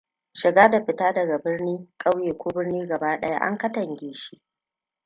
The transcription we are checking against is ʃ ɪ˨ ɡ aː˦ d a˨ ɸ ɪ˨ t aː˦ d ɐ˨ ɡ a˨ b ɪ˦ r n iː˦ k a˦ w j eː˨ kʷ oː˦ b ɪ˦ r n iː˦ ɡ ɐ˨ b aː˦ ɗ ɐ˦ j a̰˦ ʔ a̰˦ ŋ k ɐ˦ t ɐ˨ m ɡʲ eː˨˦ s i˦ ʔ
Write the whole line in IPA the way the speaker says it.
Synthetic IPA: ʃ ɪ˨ ɡ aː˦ d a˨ ɸ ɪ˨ t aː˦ d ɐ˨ ɡ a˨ b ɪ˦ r n iː˦ kʼ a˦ w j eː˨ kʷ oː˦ b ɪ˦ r n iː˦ ɡ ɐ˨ b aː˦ ɗ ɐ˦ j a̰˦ ʔ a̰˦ ŋ k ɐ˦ t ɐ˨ ŋ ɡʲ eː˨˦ ʃ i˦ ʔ